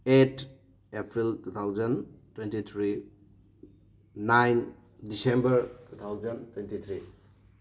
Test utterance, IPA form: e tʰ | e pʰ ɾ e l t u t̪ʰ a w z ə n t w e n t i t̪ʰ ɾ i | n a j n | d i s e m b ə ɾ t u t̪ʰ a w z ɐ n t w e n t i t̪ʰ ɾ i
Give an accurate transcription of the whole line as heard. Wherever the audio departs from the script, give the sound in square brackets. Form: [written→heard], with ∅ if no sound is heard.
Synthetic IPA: e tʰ | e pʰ ɾ [e→i] l t u t̪ʰ a w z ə n t w e n t i t̪ʰ ɾ i | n a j n | d i s e m b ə ɾ t u t̪ʰ a w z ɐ n t w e n t i t̪ʰ ɾ i